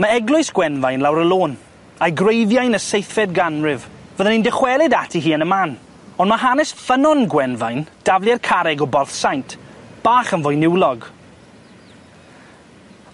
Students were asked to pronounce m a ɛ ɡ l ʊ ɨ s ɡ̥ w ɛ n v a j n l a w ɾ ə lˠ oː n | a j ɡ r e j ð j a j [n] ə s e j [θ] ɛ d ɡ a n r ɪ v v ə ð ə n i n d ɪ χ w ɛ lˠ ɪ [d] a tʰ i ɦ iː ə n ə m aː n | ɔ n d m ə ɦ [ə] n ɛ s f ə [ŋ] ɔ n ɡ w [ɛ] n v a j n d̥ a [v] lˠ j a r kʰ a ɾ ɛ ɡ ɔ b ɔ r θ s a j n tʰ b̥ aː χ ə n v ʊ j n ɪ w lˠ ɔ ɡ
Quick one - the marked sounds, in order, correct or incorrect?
correct, correct, correct, incorrect, incorrect, correct, correct

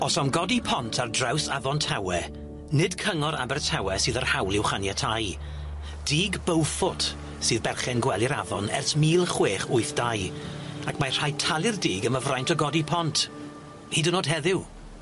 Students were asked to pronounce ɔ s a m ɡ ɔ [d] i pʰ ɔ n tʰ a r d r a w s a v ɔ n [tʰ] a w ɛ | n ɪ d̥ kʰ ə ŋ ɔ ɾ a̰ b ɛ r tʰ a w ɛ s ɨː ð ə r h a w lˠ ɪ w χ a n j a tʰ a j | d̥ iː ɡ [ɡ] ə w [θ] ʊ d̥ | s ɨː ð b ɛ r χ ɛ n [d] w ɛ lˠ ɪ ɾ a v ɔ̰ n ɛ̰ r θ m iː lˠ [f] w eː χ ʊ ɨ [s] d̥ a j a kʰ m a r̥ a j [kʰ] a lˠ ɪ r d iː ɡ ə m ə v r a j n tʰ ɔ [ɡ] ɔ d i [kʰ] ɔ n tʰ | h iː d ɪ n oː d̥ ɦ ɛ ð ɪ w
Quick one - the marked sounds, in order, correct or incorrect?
correct, correct, incorrect, incorrect, incorrect, incorrect, incorrect, incorrect, correct, incorrect

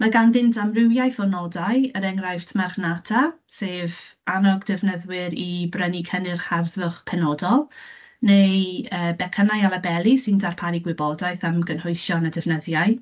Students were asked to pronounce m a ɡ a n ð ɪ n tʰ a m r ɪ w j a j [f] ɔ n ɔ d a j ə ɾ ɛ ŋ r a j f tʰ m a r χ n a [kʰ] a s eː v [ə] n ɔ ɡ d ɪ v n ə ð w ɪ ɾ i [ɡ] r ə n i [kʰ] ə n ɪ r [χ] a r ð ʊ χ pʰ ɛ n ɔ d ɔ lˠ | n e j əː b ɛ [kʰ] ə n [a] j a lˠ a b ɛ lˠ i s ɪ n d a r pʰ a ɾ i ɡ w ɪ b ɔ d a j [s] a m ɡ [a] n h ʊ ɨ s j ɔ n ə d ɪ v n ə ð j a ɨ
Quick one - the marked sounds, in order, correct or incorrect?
incorrect, incorrect, incorrect, incorrect, correct, correct, correct, correct, incorrect, incorrect

